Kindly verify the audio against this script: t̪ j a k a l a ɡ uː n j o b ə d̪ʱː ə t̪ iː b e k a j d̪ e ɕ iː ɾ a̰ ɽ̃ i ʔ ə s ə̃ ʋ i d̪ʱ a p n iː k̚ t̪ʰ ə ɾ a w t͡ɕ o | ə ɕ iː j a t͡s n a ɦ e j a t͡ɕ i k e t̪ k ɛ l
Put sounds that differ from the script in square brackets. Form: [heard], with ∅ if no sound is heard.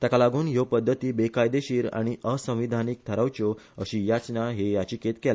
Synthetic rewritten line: t̪ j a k a l a ɡ uː n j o [p] ə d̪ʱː ə t̪ iː b e k a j d̪ e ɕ iː ɾ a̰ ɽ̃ i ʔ ə s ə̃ ʋ i d̪ʱ a [∅] n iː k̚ t̪ʰ ə ɾ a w t͡ɕ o | ə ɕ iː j a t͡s n a ɦ e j a t͡ɕ i k e t̪ k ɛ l

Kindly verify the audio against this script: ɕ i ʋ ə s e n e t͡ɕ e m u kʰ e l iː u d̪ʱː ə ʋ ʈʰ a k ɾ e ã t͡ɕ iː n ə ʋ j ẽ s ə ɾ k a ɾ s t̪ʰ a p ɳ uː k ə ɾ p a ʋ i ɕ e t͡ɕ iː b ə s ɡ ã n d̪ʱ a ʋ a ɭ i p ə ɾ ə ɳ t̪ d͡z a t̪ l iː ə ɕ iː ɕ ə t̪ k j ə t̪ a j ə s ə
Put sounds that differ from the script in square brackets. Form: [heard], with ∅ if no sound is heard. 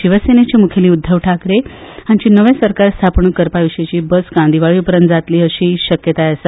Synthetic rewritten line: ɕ i ʋ ə s e n e t͡ɕ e m u kʰ e l iː u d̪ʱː ə ʋ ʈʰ a k ɾ e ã t͡ɕ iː n ə ʋ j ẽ s ə ɾ k a ɾ s t̪ʰ a p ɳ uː k ə ɾ p a ʋ i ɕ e t͡ɕ iː b ə s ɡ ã n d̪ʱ [i] ʋ a ɭ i p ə ɾ ə [n] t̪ d͡z a t̪ l iː ə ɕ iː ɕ ə [∅] k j ə t̪ a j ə s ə

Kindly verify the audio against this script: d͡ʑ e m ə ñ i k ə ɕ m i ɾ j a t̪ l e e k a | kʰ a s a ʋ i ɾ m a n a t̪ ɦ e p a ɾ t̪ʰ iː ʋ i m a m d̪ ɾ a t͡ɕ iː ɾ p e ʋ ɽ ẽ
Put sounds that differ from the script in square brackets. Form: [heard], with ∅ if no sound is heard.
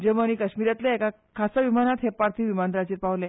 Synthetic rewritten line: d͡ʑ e m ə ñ i k ə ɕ m i ɾ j a t̪ l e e k a | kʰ a s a ʋ i [∅] m a n a t̪ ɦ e p a ɾ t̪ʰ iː ʋ i m a [n] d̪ ɾ a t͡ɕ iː ɾ p [a] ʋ [l] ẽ

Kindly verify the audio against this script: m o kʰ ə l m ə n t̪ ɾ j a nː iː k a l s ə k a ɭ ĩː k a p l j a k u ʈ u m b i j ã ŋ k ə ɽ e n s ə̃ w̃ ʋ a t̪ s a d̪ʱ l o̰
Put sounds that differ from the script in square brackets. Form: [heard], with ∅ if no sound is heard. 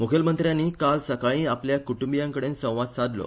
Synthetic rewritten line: m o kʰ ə l m ə n t̪ ɾ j a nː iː k a l s ə k a ɭ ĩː [∅] a p l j a k u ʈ u m b i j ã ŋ k ə ɽ e n s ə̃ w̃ ʋ a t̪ s a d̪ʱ l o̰

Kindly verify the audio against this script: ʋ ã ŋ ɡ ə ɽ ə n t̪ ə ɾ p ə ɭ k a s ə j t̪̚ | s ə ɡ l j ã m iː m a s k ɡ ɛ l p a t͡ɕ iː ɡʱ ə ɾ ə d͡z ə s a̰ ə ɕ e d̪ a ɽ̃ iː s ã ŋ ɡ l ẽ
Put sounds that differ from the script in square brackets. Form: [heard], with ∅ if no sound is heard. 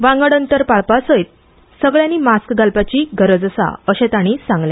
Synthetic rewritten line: ʋ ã ŋ ɡ ə ɽ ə n t̪ ə ɾ p [a] ɭ [p] a s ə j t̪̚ | s ə ɡ [ɭ] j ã [n] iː m a s k ɡ [a] l p a t͡ɕ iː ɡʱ ə ɾ ə d͡z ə s a̰ ə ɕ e [t̪] a ɽ̃ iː s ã ŋ ɡ l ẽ

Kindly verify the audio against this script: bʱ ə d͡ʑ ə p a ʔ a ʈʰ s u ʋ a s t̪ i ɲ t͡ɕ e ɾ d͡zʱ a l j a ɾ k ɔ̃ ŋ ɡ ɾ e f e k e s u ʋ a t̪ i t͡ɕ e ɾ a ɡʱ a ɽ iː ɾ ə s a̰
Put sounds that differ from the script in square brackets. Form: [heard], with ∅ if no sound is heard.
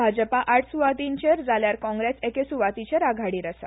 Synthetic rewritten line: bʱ [a] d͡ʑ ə p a ʔ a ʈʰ s u ʋ a [∅] t̪ i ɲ t͡ɕ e ɾ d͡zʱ a l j a ɾ k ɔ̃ ŋ ɡ ɾ e [s] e k e s u ʋ a t̪ i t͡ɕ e ɾ a ɡʱ a ɽ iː ɾ ə s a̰

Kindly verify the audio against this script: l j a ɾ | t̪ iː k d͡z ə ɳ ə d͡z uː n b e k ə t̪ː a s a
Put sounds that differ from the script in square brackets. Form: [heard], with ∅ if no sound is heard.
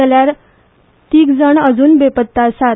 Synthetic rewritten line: l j a ɾ | t̪ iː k d͡z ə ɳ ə d͡z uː n b e [p] ə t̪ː a s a

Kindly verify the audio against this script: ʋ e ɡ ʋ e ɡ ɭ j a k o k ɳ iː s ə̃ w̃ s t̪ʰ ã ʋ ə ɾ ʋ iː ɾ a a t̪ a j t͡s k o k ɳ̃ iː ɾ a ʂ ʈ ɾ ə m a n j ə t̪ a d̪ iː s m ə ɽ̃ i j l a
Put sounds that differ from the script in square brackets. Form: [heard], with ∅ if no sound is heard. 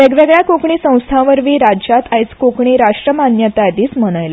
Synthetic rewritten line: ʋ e ɡ ʋ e ɡ ɭ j a k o k ɳ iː s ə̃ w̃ s t̪ʰ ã ʋ ə ɾ ʋ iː ɾ a a t̪ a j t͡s k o k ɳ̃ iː ɾ a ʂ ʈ ɾ ə m a n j ə t̪ a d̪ iː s m ə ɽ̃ [a] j l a

